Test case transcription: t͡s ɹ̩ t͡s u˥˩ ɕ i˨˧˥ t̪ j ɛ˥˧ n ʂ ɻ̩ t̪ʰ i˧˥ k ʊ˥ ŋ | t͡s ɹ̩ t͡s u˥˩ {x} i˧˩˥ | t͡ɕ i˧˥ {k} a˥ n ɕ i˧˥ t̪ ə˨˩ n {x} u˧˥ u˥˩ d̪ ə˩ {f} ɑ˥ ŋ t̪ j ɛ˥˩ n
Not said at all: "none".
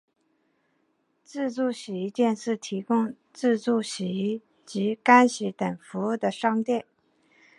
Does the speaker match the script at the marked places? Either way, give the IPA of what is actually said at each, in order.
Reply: ɕ, k, f, ʂ

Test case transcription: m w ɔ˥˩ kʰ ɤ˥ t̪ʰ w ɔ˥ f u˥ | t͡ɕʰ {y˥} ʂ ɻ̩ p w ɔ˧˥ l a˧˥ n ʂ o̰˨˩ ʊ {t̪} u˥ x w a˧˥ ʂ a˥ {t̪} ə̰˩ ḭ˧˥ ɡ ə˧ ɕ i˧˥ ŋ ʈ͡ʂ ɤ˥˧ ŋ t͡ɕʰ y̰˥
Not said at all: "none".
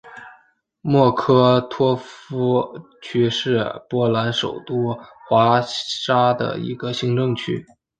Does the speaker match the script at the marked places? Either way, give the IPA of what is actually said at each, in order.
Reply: y˥, t̪, d̪

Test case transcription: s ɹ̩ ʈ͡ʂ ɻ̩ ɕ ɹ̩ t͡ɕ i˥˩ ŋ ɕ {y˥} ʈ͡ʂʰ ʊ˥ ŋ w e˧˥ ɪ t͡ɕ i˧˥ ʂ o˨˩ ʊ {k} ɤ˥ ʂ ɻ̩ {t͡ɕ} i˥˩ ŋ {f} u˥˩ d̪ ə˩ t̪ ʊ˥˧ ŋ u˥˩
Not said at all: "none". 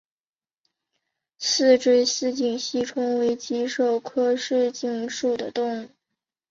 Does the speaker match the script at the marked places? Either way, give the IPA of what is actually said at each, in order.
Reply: i˥, kʰ, t͡ɕ, ʂ

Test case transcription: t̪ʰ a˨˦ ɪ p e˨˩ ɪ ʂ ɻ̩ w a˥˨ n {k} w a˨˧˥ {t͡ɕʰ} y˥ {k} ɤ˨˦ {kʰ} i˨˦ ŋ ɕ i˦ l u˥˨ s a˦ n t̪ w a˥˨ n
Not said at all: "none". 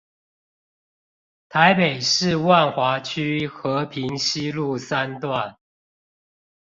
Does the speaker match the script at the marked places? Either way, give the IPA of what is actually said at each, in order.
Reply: x, t͡ɕʰ, x, pʰ

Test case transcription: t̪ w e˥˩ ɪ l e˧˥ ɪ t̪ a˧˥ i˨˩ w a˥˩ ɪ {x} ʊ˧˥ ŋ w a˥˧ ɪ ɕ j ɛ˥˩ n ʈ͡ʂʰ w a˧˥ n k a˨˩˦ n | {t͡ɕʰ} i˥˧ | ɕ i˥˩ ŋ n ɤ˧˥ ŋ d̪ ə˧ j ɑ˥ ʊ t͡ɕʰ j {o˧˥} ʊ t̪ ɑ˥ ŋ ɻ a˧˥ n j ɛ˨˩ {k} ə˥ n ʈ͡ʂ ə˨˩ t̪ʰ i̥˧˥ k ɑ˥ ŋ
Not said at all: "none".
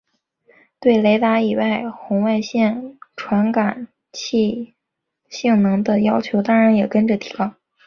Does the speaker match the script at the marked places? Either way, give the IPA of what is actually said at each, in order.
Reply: x, t͡ɕʰ, o˧˥, k

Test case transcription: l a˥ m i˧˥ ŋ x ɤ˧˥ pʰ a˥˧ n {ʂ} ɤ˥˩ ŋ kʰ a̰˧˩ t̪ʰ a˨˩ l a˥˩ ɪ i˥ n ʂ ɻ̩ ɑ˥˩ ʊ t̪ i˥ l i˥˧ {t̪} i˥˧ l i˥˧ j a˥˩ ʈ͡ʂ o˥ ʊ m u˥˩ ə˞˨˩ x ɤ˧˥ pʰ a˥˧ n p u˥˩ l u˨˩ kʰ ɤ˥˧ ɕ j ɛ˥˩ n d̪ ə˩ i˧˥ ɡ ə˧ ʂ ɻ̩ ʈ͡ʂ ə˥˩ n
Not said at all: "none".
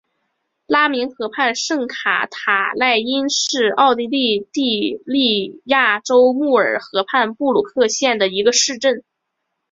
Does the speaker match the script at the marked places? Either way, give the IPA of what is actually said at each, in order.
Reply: ʂ, t̪

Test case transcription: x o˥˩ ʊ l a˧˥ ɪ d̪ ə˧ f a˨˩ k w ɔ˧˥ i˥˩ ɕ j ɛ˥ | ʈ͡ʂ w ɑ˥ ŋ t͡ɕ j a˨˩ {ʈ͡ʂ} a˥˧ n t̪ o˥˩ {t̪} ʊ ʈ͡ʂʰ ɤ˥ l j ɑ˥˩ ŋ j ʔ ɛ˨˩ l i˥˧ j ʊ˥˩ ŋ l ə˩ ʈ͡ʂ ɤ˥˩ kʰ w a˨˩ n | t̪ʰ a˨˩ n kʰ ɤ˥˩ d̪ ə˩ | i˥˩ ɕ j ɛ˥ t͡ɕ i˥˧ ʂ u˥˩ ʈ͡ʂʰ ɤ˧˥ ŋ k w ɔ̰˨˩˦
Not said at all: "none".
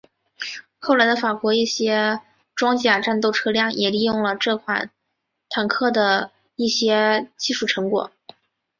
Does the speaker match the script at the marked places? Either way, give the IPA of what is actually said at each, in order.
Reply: ʈ͡ʂ, none

